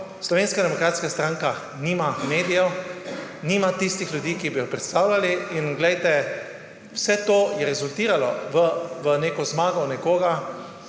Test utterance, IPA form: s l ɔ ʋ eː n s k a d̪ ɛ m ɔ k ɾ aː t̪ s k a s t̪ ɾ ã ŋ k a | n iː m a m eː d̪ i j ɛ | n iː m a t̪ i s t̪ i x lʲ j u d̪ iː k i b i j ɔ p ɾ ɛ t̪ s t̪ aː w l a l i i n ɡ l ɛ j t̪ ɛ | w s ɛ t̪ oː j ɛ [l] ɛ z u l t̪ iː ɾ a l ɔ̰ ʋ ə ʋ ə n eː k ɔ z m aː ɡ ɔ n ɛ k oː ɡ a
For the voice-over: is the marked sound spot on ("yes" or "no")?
no